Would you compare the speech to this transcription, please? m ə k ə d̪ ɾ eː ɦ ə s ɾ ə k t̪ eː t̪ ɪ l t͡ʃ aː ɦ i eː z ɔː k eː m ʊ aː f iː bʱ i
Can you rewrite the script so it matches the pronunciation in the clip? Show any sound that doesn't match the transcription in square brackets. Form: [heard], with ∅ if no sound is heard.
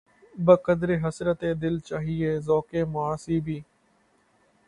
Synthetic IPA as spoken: [b] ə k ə d̪ ɾ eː ɦ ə s ɾ ə [∅] t̪ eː [d̪] ɪ l t͡ʃ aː ɦ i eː z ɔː k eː m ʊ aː [s] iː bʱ [iː]